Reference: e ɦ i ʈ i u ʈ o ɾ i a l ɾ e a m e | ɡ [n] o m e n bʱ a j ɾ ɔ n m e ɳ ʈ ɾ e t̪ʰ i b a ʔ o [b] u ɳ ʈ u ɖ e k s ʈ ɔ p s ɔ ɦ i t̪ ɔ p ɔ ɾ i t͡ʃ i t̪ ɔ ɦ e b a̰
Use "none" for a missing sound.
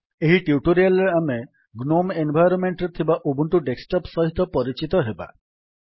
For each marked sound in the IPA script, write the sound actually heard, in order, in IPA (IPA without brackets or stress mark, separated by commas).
n, b